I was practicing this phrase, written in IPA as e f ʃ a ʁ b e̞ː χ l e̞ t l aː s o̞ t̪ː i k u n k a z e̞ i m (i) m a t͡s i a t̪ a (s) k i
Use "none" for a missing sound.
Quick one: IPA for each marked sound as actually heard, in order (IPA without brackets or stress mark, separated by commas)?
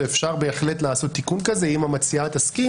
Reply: a, s